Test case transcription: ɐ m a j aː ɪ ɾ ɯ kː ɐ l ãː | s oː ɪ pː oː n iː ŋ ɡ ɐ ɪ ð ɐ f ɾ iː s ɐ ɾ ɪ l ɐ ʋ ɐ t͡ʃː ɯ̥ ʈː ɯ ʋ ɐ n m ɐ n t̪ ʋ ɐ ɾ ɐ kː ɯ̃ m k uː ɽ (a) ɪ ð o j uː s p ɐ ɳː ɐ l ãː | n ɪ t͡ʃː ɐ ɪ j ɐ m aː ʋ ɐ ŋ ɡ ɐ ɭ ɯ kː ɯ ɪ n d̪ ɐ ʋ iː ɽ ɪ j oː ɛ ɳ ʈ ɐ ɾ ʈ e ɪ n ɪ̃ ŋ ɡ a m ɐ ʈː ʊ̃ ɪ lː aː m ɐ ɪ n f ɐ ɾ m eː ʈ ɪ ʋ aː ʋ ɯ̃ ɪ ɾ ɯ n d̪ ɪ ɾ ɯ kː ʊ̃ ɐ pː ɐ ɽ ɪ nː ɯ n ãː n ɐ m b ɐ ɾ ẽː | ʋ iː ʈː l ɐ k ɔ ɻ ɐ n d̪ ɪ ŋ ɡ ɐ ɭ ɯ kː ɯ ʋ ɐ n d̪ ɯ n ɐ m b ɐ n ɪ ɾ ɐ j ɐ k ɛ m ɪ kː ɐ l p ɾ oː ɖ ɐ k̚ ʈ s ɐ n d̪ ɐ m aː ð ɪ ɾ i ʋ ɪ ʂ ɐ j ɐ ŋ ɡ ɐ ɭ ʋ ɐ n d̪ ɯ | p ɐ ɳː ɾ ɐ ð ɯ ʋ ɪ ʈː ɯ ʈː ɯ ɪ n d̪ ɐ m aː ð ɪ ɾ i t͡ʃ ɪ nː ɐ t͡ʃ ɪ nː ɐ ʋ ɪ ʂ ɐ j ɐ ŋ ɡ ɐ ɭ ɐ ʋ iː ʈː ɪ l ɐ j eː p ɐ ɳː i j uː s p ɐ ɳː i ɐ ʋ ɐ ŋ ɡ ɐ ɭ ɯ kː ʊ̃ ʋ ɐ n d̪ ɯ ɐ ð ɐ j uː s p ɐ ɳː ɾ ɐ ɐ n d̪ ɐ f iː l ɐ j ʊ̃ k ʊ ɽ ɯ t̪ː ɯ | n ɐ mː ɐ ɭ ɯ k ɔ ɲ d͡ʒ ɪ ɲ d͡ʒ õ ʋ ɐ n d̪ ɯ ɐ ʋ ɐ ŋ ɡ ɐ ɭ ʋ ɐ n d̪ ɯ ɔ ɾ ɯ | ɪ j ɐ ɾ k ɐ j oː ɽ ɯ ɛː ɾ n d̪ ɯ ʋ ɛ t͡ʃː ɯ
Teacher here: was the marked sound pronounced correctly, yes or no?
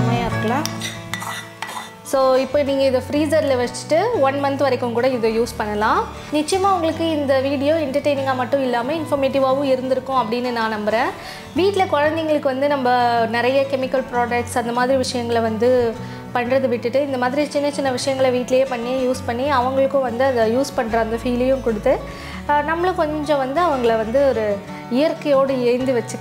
no